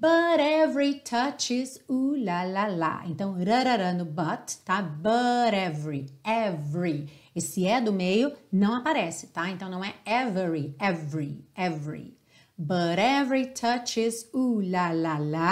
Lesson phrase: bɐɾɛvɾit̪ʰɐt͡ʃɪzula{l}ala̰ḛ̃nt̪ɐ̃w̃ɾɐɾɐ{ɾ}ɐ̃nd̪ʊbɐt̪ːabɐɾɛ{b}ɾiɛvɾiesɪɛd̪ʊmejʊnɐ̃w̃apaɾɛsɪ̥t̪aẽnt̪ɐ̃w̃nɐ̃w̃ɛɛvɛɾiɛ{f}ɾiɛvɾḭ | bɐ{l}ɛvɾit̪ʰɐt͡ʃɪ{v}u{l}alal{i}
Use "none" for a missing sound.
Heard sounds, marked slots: l, ɾ, v, v, ɾ, z, l, a

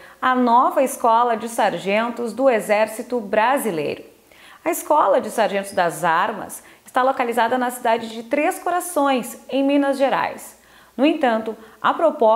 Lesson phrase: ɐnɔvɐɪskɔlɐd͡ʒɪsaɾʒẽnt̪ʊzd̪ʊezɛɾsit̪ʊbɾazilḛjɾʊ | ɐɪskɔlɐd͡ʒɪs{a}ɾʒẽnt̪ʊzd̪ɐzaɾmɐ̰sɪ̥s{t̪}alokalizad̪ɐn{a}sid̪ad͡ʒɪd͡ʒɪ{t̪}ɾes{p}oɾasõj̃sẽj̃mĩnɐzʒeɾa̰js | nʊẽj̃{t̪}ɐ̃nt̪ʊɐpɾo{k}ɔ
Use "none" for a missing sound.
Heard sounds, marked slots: a, t̪, ɐ, t̪, k, t̪, p

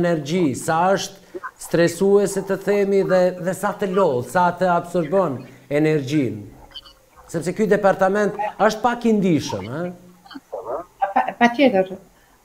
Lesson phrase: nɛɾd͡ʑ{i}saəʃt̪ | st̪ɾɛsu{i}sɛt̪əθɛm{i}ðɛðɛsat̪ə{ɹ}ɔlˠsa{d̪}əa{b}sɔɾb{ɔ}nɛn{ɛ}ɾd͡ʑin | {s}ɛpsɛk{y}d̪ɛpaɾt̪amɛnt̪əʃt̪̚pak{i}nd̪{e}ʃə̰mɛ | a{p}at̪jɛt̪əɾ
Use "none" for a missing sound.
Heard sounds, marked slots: i, ɛ, i, l, t̪, b, ɔ, ɛ, s, y, i, i, p

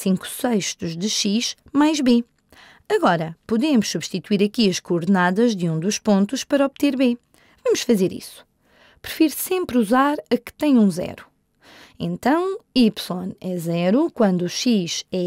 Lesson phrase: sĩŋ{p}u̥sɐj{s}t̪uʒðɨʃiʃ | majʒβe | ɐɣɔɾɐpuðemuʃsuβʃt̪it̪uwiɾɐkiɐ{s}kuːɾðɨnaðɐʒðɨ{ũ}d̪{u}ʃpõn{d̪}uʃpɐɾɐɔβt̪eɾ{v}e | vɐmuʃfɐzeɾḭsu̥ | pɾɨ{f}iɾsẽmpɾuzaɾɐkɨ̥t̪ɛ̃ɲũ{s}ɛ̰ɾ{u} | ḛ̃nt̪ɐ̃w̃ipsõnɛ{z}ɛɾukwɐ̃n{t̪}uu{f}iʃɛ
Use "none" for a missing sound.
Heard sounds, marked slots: k, ʃ, ʃ, ũ, u, t̪, β, f, z, u, z, d̪, ʃ

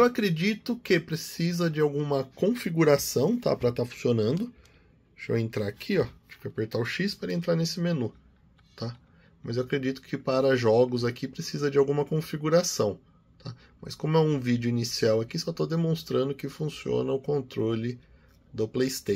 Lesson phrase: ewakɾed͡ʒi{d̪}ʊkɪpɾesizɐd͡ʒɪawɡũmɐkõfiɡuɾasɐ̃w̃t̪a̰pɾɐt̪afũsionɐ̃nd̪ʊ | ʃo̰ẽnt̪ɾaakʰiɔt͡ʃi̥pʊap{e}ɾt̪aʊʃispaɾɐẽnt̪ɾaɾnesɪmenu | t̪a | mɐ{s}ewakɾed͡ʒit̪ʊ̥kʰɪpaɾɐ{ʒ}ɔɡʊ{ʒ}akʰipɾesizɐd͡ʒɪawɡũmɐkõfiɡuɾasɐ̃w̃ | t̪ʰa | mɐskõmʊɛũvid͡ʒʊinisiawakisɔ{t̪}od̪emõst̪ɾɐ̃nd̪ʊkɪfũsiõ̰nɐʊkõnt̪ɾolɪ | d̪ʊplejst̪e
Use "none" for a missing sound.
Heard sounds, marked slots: t̪, e, z, ʒ, z, t̪

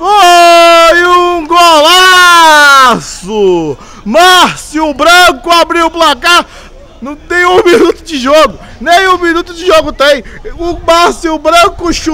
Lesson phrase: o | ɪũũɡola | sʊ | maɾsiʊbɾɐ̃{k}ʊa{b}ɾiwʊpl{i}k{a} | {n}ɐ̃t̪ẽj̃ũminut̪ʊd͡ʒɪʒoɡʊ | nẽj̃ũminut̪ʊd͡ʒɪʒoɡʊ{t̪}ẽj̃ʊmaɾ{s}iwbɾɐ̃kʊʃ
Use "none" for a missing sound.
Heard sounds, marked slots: k, b, a, a, n, t̪, s

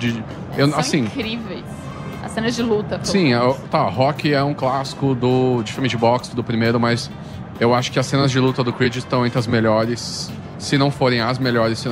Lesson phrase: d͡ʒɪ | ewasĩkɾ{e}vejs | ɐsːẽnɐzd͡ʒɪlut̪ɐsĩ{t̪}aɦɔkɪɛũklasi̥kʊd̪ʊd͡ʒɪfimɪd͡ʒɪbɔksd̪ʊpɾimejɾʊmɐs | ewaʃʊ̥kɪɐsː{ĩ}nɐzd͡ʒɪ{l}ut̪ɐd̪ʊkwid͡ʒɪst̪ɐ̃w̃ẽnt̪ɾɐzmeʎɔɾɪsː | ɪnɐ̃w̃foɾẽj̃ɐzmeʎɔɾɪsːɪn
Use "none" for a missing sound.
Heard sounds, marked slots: i, t̪, ẽ, l

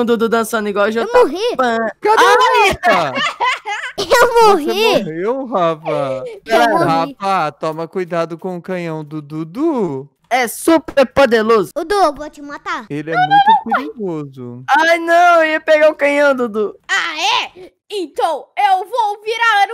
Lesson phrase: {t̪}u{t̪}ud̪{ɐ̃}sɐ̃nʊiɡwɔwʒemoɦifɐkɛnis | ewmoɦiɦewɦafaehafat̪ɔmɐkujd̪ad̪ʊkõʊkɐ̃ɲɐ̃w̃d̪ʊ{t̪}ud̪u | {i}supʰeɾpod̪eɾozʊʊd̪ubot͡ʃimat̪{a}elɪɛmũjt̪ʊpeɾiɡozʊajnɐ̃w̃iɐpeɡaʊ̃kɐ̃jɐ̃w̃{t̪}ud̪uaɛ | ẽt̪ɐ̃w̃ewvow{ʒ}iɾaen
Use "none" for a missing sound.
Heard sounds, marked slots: d̪, d̪, ɐ̃, d̪, ɛ, a, d̪, v

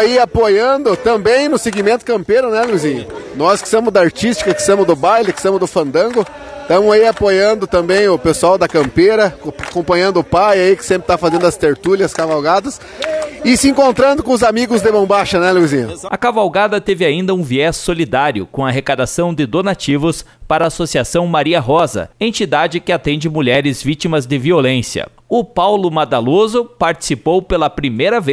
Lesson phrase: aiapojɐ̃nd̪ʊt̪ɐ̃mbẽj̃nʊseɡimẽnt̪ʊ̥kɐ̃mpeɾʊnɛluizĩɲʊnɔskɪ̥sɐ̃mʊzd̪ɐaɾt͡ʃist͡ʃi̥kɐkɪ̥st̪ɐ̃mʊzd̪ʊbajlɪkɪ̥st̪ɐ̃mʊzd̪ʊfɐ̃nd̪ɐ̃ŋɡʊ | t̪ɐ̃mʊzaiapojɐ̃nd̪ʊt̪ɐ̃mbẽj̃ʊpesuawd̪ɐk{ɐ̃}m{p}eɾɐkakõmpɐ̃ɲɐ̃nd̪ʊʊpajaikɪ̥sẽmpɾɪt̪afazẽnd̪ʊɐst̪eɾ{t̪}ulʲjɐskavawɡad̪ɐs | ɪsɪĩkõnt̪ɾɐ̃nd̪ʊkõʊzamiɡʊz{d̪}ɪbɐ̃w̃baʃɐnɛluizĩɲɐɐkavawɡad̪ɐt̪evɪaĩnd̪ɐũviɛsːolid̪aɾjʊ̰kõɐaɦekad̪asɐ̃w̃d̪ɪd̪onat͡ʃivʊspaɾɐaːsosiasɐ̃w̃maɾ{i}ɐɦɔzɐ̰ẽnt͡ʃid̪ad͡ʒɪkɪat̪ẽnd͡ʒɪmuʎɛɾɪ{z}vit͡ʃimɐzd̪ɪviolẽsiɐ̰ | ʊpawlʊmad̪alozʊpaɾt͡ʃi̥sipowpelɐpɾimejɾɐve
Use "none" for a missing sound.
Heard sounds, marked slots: ɐ̃, p, t̪, d̪, i, z

